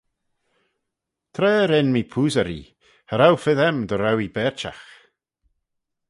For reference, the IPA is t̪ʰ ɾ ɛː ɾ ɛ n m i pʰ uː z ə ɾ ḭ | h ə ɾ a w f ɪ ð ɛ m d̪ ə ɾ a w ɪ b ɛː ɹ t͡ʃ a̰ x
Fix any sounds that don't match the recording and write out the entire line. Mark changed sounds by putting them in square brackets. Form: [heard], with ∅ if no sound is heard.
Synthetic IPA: t̪ʰ ɾ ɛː ɾ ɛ n m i pʰ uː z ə ɾ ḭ | h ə ɾ a w f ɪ ð ɛ m d̪ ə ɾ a w [i] b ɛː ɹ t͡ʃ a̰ x